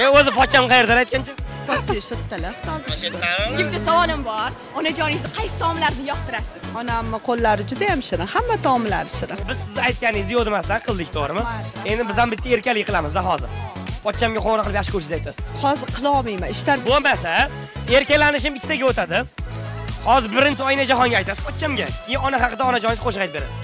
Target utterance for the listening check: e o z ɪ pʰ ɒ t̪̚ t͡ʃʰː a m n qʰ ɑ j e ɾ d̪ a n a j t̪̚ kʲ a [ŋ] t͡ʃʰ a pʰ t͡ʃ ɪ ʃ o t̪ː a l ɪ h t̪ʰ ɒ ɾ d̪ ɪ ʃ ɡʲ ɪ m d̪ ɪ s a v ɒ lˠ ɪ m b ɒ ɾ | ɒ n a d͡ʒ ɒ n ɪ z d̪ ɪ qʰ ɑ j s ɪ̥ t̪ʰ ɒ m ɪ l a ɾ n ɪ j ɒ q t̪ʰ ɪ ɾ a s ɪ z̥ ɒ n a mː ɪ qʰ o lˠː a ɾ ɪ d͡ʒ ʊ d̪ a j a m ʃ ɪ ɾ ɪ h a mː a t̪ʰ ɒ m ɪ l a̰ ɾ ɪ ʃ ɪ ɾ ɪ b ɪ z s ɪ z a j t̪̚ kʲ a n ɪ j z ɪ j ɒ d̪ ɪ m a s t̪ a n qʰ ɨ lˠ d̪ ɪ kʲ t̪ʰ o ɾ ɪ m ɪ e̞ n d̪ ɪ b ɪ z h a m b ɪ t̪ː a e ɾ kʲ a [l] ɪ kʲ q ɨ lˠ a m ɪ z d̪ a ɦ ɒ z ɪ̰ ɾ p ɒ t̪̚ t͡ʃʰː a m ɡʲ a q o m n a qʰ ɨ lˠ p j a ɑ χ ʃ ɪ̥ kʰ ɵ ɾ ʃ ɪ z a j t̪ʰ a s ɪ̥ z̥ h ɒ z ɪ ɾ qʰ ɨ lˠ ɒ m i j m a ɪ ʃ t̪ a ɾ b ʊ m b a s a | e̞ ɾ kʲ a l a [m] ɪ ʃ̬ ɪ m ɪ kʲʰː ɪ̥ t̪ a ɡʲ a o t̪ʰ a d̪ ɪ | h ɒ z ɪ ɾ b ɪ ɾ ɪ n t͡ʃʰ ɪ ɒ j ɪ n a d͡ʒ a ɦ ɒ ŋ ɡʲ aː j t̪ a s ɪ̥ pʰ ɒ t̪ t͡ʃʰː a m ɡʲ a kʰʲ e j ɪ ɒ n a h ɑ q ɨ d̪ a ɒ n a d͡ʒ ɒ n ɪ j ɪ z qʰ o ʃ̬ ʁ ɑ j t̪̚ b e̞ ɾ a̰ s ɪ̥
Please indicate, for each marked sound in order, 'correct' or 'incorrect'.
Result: incorrect, correct, incorrect

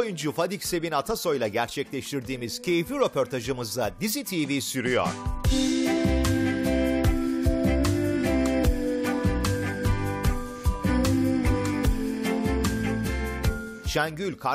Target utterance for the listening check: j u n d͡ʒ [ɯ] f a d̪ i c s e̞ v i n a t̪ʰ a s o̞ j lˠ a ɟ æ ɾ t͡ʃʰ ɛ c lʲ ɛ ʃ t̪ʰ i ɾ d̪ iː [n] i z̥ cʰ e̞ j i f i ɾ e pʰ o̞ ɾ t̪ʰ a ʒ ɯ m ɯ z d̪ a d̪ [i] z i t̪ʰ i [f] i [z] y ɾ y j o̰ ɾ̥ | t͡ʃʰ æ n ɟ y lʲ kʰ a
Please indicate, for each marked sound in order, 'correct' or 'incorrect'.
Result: incorrect, incorrect, correct, incorrect, incorrect

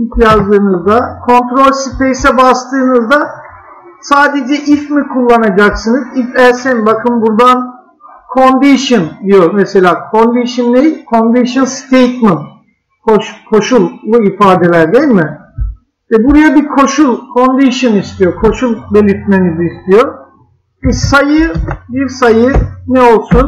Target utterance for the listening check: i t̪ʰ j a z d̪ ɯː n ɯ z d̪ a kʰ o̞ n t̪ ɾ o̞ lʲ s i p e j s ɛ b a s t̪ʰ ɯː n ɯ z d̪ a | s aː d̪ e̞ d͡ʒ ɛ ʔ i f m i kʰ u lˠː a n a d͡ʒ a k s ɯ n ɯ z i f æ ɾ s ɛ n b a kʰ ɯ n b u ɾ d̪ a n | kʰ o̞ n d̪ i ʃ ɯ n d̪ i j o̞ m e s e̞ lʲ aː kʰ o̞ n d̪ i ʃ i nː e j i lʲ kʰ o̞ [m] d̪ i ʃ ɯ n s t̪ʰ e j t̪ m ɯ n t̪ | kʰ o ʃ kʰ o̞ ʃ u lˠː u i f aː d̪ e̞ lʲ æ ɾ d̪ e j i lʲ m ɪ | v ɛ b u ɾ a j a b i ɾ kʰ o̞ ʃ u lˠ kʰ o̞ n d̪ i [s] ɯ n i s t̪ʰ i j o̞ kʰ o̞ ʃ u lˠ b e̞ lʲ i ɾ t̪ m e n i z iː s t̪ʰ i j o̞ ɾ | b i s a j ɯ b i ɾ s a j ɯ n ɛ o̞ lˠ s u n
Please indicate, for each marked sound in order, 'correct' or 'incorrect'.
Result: incorrect, incorrect

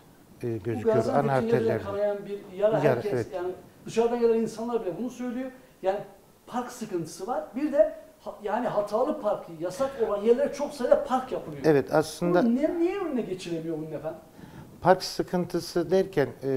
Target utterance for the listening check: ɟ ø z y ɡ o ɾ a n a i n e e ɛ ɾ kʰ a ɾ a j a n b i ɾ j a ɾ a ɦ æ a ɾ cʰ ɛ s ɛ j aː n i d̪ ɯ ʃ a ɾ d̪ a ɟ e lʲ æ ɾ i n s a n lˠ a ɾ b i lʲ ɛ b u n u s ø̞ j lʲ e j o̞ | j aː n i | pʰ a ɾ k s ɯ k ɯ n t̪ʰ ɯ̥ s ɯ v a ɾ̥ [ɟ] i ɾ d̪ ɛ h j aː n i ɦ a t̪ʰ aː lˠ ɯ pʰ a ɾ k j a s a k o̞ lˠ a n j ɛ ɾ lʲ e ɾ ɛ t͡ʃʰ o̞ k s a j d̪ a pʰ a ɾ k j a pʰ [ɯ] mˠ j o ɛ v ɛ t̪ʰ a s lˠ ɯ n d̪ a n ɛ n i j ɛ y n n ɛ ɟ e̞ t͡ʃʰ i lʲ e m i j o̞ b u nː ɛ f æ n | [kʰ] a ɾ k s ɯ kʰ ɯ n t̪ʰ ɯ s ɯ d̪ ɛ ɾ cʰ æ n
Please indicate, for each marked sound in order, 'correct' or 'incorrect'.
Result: incorrect, correct, incorrect

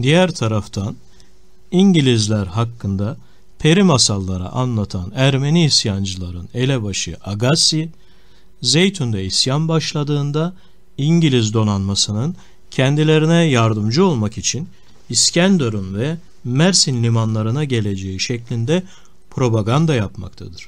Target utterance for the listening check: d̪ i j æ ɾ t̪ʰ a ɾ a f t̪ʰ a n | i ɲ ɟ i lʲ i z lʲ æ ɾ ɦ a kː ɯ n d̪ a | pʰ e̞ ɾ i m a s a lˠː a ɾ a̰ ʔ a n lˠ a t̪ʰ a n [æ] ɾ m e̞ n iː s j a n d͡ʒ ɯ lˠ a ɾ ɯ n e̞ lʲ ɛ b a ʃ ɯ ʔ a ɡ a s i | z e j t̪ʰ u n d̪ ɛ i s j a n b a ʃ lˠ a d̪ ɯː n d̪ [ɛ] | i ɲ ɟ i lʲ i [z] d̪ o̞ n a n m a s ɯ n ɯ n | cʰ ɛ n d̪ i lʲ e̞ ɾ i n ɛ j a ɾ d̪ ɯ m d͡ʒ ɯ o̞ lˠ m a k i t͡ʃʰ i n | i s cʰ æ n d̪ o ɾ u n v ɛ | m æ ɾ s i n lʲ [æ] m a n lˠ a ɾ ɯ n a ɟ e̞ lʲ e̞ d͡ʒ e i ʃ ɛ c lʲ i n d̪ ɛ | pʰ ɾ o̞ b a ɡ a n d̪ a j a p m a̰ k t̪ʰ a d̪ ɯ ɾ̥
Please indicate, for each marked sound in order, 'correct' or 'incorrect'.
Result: correct, incorrect, correct, incorrect

